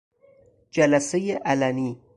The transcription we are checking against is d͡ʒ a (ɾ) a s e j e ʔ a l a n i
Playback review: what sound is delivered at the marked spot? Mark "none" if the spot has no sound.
l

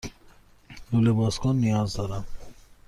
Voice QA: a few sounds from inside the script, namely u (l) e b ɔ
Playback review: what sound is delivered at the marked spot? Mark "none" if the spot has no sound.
l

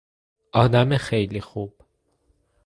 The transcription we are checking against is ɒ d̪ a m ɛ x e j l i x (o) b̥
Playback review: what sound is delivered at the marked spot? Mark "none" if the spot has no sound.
u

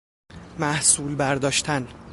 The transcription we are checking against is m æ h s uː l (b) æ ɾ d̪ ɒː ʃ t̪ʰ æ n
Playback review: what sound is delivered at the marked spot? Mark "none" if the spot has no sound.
b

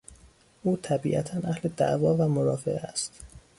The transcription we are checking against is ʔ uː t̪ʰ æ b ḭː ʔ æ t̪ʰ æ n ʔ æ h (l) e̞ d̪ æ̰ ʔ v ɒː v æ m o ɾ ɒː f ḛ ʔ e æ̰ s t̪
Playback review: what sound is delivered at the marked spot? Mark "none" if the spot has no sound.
l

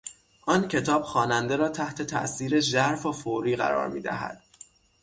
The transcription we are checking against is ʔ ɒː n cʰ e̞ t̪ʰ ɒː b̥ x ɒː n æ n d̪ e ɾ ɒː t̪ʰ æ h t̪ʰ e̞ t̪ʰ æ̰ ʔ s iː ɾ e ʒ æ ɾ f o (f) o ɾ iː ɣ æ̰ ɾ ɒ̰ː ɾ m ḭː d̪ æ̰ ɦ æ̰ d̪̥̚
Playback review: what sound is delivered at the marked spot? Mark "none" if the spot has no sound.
f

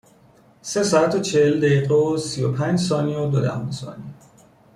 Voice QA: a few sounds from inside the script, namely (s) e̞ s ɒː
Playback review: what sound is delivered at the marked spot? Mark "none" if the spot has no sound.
s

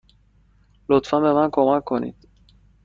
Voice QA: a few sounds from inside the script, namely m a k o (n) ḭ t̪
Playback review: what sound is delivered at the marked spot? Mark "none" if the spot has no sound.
n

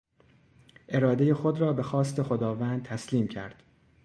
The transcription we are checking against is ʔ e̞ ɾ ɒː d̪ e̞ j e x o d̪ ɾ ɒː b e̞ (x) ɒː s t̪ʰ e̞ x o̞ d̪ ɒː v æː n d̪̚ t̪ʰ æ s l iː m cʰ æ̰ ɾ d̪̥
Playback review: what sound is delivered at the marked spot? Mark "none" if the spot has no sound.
x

